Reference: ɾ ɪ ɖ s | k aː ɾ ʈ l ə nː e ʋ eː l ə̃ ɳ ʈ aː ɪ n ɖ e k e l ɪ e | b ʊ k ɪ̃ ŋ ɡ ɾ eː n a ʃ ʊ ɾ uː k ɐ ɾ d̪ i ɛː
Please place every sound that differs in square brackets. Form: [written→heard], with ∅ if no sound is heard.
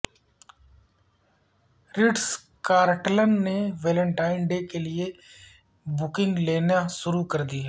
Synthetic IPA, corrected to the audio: ɾ ɪ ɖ s | k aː ɾ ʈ l ə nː e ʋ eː l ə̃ ɳ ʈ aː ɪ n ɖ e k e l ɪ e | b ʊ k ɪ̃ ŋ ɡ [ɾ→l] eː n a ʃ ʊ ɾ [uː→u] k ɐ ɾ d̪ i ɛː